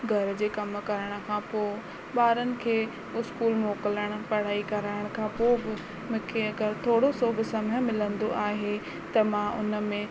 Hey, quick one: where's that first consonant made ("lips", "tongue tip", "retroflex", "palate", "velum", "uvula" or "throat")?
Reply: velum